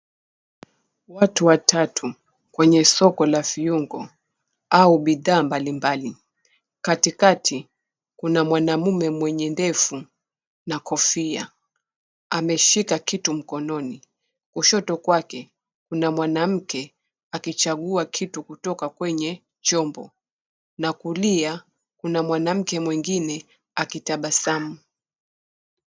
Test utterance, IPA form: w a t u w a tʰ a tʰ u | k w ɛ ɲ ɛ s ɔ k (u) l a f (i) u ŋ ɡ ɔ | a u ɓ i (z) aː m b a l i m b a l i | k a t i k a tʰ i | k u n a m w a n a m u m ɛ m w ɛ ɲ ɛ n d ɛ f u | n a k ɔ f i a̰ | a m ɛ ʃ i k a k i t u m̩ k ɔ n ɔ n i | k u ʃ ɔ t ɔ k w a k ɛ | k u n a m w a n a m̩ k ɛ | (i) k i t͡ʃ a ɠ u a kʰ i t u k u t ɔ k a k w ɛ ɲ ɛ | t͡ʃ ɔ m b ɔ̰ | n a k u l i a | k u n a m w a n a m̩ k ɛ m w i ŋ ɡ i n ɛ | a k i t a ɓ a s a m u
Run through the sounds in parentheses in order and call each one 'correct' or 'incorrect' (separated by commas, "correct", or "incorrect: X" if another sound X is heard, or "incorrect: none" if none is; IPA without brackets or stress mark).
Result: incorrect: ɔ, correct, incorrect: ð, incorrect: a